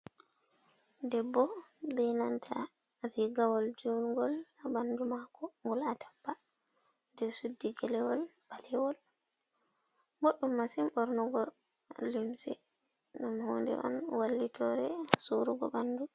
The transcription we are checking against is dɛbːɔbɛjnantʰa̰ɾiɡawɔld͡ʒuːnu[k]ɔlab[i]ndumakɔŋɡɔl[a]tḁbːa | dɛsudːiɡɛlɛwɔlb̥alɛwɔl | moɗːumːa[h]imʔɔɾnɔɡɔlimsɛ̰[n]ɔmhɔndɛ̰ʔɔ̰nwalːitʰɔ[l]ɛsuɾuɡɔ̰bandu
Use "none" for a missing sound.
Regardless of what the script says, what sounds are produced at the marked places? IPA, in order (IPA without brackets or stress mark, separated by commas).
ɡ, a, a, s, n, ɾ